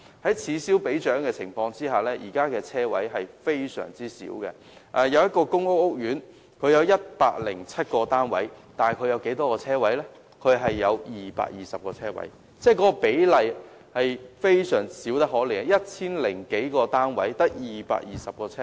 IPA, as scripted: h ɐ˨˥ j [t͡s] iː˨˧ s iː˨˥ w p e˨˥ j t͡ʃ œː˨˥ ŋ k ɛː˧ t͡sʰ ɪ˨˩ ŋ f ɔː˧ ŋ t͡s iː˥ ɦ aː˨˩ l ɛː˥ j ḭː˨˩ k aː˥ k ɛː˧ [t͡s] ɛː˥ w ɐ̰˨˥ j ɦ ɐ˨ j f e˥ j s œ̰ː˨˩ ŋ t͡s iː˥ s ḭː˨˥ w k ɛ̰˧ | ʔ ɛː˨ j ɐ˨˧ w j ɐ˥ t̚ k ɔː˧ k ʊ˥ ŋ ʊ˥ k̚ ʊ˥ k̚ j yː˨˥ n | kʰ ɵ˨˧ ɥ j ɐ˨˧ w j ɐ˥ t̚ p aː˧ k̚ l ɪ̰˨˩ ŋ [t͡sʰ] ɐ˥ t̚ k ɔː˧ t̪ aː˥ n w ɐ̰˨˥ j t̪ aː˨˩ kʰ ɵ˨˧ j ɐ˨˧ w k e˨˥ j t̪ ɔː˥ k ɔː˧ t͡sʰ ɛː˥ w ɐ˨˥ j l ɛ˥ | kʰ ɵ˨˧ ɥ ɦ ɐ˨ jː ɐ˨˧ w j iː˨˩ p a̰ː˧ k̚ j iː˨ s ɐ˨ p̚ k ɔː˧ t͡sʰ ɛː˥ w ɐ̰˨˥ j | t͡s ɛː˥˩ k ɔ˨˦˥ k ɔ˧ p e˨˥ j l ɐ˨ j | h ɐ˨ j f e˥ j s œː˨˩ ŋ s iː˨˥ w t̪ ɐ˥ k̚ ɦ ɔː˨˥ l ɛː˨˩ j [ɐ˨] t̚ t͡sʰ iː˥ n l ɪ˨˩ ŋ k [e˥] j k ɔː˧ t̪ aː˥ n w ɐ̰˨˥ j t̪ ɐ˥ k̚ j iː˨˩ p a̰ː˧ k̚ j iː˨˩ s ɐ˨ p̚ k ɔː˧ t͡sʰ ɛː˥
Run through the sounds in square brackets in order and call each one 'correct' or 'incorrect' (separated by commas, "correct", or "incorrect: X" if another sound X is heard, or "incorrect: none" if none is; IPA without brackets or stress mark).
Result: incorrect: t͡sʰ, incorrect: t͡sʰ, correct, incorrect: ɐ˥, incorrect: e˨˥